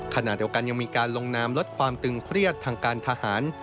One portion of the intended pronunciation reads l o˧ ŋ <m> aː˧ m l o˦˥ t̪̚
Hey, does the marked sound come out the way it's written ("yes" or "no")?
no